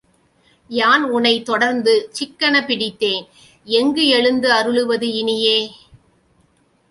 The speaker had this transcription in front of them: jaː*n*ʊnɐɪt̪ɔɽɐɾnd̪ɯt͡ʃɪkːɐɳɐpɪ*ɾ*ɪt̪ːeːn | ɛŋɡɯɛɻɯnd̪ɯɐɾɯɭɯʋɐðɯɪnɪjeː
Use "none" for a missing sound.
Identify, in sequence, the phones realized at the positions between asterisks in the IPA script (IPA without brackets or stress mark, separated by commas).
n, ɽ